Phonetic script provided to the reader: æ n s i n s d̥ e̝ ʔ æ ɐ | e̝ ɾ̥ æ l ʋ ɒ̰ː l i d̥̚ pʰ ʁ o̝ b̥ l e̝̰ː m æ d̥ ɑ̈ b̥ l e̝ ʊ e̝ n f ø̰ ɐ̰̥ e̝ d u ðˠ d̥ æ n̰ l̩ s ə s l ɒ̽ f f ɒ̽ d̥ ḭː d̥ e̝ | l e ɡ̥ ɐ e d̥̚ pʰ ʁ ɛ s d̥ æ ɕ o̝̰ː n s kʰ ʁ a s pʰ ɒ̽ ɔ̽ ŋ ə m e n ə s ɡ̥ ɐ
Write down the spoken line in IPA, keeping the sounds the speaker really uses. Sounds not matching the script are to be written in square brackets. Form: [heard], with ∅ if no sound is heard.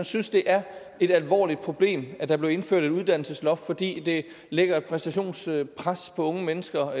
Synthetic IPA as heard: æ n s [y] n s d̥ e̝ ʔ æ ɐ | e̝ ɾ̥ æ l ʋ ɒ̰ː l i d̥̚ pʰ ʁ o̝ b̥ l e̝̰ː m æ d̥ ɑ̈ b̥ l e̝ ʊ e̝ n f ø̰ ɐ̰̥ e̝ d u ðˠ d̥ æ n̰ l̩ s ə s l ɒ̽ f f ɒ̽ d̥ ḭː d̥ e̝ | l e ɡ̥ ɐ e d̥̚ pʰ ʁ ɛ s d̥ æ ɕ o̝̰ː n s [pʰ] ʁ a s pʰ ɒ̽ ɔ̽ ŋ ə m e n ə s ɡ̥ ɐ

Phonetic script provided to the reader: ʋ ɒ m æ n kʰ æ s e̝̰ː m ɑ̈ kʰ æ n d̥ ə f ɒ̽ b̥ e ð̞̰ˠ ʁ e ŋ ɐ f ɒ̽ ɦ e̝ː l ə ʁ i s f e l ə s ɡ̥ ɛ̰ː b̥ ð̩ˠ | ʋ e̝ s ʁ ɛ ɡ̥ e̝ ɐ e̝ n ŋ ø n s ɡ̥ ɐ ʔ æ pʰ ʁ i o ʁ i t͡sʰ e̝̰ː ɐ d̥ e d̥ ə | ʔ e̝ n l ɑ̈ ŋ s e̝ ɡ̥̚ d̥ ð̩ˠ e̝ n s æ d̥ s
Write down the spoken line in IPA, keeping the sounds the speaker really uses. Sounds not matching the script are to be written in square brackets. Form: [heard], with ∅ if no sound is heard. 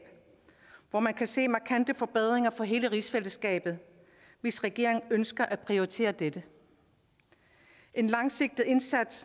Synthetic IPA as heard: ʋ ɒ m æ n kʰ æ s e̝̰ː m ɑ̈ kʰ æ n d̥ ə f ɒ̽ b̥ e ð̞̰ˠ ʁ e ŋ ɐ f ɒ̽ ɦ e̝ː l ə ʁ i s f e l ə s ɡ̥ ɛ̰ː b̥ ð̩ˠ | ʋ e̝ s ʁ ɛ ɡ̥ e̝ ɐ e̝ [ŋ] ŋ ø n s ɡ̥ ɐ ʔ æ pʰ ʁ i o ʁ i t͡sʰ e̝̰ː ɐ d̥ e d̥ ə | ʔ e̝ n l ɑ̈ ŋ s e̝ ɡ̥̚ d̥ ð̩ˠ e̝ n s æ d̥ s

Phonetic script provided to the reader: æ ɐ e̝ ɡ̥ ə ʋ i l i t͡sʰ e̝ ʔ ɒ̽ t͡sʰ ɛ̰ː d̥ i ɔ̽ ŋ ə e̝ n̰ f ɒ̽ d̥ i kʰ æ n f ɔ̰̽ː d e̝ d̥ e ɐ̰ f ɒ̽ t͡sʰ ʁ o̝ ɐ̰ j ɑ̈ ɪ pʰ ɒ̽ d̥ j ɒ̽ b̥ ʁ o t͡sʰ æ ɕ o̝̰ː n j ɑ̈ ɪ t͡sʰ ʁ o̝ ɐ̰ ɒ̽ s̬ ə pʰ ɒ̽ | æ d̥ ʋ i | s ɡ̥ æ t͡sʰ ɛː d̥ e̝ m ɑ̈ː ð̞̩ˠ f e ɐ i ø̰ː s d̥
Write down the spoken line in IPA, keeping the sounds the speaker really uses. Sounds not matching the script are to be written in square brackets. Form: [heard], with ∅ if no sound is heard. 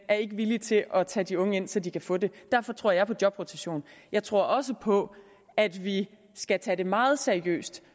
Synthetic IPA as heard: æ ɐ e̝ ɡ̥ ə ʋ i l i t͡sʰ e̝ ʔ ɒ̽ t͡sʰ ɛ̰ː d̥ i ɔ̽ ŋ ə e̝ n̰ [s] ɒ̽ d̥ i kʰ æ [∅] f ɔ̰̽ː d e̝ d̥ [æ] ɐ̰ f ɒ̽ t͡sʰ ʁ o̝ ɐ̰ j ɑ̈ ɪ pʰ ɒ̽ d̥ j ɒ̽ b̥ ʁ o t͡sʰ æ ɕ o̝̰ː n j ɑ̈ ɪ t͡sʰ ʁ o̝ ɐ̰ ɒ̽ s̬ ə pʰ ɒ̽ | æ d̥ ʋ i | s ɡ̥ æ t͡sʰ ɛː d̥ e̝ m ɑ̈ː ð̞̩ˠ [s] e ɐ i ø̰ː s d̥

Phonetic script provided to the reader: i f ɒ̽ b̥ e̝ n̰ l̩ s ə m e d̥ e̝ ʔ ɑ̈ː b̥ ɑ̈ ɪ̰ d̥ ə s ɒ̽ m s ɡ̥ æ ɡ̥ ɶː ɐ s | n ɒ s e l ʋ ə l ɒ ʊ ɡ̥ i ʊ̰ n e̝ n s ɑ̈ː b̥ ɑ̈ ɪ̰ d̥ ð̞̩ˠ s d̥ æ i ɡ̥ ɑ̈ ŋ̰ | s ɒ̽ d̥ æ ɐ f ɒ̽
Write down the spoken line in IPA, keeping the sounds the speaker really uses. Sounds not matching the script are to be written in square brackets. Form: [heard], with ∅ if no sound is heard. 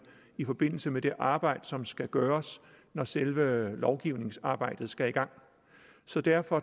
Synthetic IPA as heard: i f ɒ̽ b̥ e̝ n̰ l̩ s ə m e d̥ e̝ ʔ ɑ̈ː b̥ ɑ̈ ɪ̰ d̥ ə s ɒ̽ m s ɡ̥ æ ɡ̥ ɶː ɐ s | n ɒ s e l ʋ ə l ɒ ʊ ɡ̥ i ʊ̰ n e̝ [ŋ] s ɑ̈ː b̥ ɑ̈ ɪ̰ d̥ ð̞̩ˠ s [ɡ̥] æ i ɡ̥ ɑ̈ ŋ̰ | s ɒ̽ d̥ æ ɐ f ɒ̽

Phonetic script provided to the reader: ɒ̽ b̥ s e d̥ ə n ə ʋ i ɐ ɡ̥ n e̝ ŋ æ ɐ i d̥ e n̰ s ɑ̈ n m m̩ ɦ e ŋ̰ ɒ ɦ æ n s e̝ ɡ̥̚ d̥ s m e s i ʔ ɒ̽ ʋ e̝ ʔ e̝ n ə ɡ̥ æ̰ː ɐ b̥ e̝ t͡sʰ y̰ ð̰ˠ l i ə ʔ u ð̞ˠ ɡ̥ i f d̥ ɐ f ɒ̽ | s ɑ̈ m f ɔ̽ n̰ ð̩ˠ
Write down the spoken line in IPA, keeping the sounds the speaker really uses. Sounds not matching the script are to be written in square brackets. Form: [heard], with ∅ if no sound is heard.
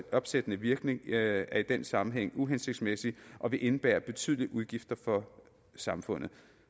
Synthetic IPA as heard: ɒ̽ b̥ s e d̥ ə n ə ʋ i ɐ ɡ̥ n e̝ ŋ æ ɐ i d̥ e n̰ s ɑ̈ [∅] m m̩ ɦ e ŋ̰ [u] ɦ [e] n s e̝ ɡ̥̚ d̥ s m e s i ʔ ɒ̽ ʋ e̝ ʔ e̝ n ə [b̥] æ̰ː ɐ b̥ e̝ t͡sʰ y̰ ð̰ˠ l i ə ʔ u ð̞ˠ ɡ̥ i f d̥ ɐ f ɒ̽ | s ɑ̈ m f ɔ̽ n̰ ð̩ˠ

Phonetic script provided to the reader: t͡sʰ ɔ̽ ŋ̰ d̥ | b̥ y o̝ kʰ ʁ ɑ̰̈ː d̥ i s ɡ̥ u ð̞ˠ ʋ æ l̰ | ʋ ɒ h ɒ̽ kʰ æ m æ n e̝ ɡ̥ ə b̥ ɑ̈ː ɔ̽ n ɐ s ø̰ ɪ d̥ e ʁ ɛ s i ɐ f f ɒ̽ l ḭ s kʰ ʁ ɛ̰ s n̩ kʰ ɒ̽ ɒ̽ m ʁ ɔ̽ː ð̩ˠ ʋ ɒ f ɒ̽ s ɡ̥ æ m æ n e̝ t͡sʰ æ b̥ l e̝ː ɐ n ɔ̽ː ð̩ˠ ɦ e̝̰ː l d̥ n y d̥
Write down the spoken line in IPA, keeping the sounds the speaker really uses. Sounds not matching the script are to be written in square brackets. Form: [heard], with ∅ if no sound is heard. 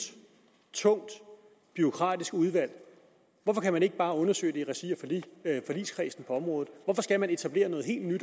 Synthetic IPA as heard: t͡sʰ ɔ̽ ŋ̰ d̥ | b̥ y o̝ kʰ ʁ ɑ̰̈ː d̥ i s ɡ̥ u ð̞ˠ ʋ æ l̰ | ʋ ɒ [f] ɒ̽ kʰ æ m æ n e̝ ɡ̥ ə b̥ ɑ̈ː ɔ̽ n ɐ s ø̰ ɪ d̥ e ʁ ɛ s i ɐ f f ɒ̽ l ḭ s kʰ ʁ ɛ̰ s n̩ [pʰ] ɒ̽ ɒ̽ m ʁ ɔ̽ː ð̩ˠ ʋ ɒ f ɒ̽ s ɡ̥ æ m æ n e̝ t͡sʰ æ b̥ l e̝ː ɐ n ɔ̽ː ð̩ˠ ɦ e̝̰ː l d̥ n y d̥

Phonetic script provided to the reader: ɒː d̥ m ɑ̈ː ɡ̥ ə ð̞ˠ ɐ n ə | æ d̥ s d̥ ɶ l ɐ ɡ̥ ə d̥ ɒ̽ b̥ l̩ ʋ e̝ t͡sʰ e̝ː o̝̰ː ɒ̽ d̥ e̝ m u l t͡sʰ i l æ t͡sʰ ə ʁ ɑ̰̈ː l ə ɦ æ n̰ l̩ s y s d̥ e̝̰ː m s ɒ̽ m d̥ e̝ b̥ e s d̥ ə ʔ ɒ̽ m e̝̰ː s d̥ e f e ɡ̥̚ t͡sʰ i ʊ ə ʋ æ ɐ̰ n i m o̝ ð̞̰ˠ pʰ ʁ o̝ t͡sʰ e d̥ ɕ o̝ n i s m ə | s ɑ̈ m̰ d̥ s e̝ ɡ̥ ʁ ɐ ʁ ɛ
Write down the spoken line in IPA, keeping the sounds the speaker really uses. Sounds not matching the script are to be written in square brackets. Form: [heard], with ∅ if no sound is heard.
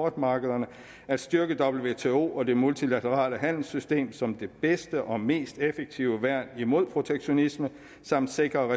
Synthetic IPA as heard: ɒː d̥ m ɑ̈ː ɡ̥ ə ð̞ˠ ɐ n ə | æ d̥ s d̥ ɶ [∅] ɐ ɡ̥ ə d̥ ɒ̽ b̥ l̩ ʋ e̝ t͡sʰ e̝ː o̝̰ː ɒ̽ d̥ e̝ m u l t͡sʰ i l æ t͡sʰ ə ʁ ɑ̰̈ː l ə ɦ æ n̰ l̩ s y s d̥ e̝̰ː m s ɒ̽ m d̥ e̝ b̥ e s d̥ ə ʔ ɒ̽ m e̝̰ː s d̥ e f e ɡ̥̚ t͡sʰ i ʊ ə ʋ æ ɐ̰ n i m o̝ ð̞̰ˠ pʰ ʁ o̝ t͡sʰ e [ɡ̥] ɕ o̝ n i s m ə | s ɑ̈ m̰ d̥ s e̝ ɡ̥ ʁ ɐ ʁ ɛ

